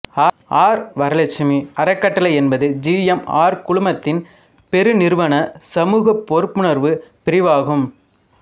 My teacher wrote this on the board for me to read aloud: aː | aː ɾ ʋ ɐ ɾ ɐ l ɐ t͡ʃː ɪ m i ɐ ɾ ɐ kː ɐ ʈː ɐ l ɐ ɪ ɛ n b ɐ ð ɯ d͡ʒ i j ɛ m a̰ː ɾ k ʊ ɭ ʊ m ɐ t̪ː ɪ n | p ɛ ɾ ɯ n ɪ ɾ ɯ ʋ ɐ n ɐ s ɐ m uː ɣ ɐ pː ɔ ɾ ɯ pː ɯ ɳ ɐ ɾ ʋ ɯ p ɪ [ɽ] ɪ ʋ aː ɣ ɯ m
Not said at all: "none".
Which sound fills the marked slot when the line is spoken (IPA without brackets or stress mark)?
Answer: ɾ